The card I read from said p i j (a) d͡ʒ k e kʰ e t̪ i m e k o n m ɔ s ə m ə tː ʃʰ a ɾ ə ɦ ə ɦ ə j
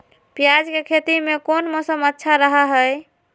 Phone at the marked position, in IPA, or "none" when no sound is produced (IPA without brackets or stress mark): a